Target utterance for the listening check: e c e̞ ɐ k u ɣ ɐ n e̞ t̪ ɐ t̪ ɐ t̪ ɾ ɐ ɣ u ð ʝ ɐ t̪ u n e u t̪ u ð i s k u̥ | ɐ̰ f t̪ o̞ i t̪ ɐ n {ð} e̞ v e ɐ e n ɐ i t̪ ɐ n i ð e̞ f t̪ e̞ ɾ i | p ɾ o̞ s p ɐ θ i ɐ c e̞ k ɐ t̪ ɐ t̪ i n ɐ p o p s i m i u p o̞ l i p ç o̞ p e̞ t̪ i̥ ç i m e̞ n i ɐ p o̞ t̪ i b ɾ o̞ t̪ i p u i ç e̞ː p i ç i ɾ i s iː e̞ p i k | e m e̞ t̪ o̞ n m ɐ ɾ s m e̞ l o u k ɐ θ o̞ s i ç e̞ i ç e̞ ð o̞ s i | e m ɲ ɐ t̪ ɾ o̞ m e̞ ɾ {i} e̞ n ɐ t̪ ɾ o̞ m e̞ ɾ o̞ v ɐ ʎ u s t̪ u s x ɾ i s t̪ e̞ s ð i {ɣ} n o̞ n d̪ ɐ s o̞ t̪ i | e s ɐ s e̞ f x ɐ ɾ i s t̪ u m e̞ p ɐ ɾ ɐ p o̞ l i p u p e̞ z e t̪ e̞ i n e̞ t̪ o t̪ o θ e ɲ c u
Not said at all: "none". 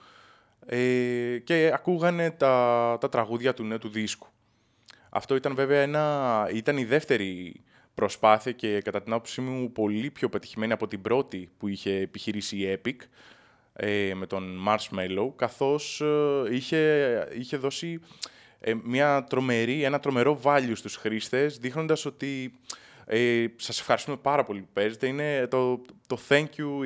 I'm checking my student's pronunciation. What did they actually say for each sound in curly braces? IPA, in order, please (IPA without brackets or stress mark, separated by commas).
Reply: v, i, x